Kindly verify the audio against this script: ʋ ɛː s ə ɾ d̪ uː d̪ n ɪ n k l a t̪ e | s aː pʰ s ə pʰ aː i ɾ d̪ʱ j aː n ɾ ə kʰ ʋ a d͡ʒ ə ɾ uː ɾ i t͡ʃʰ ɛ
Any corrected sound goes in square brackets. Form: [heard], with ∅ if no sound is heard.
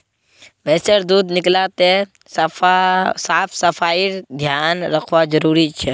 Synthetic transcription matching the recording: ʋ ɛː s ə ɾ d̪ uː d̪ n ɪ [∅] k l a t̪ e | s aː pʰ s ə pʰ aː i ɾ d̪ʱ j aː n ɾ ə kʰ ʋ a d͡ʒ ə ɾ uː ɾ i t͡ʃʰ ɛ

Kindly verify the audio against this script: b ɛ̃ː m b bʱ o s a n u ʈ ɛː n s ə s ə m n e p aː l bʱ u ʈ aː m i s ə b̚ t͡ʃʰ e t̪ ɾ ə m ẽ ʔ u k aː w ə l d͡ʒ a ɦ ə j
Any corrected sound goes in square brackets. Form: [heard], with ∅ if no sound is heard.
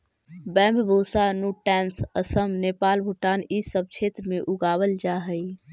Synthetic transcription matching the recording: b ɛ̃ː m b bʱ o s a n u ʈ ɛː n s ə s ə m n e p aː l bʱ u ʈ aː [n] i s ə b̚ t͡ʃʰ e t̪ ɾ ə m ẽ ʔ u [ɡ] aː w ə l d͡ʒ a ɦ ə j

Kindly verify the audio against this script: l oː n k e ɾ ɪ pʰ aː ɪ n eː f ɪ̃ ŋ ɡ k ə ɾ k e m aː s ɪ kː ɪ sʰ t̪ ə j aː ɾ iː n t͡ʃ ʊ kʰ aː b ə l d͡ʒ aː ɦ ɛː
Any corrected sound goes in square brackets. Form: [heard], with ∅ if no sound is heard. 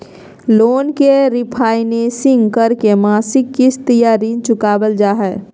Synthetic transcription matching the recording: l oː n k e ɾ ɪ pʰ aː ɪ n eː [s] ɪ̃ ŋ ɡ k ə ɾ k e m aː s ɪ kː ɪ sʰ t̪ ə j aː ɾ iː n t͡ʃ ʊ [k] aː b ə l d͡ʒ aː ɦ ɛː

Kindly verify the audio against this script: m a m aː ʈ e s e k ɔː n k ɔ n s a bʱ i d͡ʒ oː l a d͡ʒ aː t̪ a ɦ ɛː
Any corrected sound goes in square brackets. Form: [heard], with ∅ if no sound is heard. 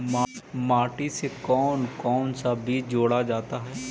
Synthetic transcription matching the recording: m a m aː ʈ [i] s e k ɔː n k [ɔː] n s a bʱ i d͡ʒ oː [ɽ] a d͡ʒ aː t̪ a ɦ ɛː

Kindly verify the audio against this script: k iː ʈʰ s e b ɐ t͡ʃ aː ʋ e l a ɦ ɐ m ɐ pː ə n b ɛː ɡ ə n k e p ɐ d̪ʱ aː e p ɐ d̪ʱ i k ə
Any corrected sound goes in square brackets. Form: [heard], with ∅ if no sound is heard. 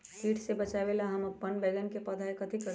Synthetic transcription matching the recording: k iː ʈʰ s e b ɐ t͡ʃ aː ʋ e l a ɦ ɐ m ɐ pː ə n b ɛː ɡ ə n k e p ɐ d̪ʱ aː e [k] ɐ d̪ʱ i k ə

